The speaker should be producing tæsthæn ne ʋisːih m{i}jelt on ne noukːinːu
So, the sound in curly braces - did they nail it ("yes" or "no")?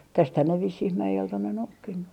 no